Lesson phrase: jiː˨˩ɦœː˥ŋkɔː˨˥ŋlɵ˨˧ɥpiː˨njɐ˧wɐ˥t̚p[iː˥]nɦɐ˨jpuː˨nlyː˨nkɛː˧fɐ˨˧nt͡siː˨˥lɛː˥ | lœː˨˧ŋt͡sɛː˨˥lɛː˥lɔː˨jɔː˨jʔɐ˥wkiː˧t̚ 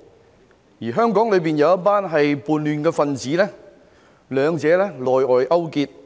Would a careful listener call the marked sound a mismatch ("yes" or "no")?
yes